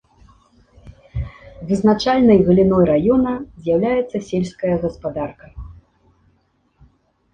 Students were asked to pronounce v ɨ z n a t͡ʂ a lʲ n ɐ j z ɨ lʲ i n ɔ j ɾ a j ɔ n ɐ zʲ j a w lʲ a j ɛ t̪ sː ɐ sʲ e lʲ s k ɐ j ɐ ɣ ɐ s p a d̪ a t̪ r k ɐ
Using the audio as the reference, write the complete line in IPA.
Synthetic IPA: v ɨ z n a t͡ʂ a lʲ n ɐ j ɣ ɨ lʲ i n ɔ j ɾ a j ɔ n ɐ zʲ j a w lʲ a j ɛ t̪ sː ɐ sʲ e lʲ s k ɐ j ɐ ɣ ɐ s p a d̪ a r k ɐ